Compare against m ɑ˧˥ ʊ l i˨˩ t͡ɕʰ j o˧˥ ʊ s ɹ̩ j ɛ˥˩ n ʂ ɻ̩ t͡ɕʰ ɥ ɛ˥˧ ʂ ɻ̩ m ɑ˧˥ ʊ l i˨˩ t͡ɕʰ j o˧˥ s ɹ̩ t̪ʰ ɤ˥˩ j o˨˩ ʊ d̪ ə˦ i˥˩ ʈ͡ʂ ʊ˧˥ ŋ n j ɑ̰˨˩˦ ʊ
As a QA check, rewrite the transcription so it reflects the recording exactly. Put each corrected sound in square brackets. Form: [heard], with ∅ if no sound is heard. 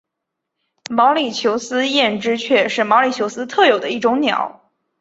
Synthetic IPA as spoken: m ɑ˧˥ ʊ l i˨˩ t͡ɕʰ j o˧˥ ʊ s ɹ̩ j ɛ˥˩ n [ʈ͡ʂ] ɻ̩ t͡ɕʰ ɥ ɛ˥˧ ʂ ɻ̩ m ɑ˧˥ ʊ l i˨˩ t͡ɕʰ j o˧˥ s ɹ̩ t̪ʰ ɤ˥˩ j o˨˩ ʊ d̪ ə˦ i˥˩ ʈ͡ʂ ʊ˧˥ ŋ n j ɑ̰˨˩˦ ʊ